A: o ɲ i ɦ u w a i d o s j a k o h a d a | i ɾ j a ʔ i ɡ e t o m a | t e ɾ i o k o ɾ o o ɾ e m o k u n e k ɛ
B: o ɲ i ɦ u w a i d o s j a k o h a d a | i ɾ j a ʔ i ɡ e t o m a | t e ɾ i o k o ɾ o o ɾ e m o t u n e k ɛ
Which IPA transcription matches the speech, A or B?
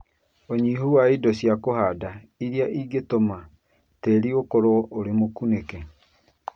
A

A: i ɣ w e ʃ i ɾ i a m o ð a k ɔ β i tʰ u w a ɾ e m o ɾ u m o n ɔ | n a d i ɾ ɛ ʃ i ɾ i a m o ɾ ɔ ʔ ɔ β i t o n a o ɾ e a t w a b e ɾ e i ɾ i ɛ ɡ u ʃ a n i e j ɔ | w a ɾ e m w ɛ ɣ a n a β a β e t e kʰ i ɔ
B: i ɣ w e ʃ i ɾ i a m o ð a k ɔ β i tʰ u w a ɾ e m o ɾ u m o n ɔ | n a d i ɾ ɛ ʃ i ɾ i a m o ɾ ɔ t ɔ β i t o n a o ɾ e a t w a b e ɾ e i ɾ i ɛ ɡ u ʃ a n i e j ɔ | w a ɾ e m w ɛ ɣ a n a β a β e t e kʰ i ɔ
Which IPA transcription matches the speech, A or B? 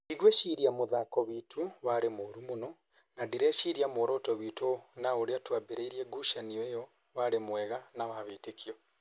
B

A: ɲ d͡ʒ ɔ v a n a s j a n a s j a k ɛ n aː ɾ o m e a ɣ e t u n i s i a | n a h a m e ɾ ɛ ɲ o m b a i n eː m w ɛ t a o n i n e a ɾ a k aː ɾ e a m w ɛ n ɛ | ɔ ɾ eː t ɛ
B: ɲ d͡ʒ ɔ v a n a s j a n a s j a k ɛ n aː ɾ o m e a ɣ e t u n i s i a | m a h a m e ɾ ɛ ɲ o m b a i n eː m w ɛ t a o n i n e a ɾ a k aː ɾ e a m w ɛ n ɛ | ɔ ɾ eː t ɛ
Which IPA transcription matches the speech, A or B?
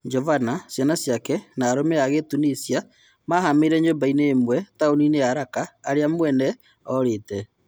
B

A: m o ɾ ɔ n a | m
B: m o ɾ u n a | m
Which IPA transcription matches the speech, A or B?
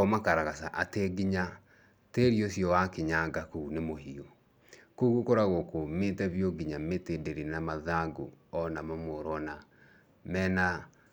A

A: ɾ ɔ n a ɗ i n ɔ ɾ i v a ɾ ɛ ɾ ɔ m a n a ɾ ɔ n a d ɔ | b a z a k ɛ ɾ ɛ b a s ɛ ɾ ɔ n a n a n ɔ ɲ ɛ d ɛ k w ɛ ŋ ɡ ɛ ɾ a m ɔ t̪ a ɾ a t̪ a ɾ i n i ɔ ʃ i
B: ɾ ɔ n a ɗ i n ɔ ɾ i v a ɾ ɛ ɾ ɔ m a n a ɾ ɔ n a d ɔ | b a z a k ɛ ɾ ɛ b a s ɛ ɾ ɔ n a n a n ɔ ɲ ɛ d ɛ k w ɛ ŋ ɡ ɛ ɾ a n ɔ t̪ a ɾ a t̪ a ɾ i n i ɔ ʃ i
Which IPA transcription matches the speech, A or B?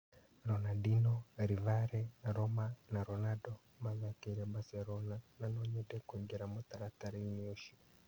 A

